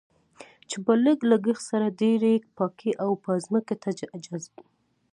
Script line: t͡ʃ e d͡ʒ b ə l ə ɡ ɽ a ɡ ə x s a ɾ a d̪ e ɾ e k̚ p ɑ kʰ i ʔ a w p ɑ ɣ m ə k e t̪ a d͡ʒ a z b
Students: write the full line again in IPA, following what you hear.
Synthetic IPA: t͡ʃ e b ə l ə ɡ l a ɡ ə x s a ɾ a d̪ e ɾ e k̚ p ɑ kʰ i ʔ a w p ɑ z m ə k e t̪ a d͡ʒ a z b